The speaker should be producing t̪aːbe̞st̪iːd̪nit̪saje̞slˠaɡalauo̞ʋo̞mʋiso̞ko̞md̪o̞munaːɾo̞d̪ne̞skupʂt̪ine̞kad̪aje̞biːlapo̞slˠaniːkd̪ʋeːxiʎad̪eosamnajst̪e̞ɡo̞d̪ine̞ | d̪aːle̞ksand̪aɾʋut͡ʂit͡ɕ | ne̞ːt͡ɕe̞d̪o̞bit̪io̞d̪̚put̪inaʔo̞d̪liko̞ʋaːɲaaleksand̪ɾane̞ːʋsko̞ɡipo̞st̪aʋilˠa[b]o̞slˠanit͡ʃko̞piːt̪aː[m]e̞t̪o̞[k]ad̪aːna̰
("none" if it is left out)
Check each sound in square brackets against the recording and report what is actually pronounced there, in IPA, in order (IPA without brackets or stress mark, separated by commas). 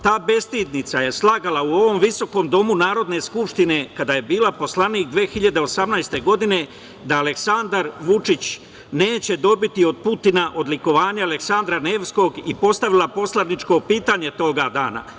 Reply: p, ɲ, ɡ